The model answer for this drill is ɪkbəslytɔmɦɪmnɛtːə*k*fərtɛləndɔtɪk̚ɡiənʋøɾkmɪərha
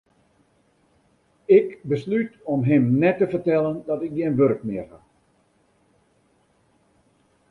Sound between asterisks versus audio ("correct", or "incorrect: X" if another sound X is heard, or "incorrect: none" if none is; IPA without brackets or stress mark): incorrect: none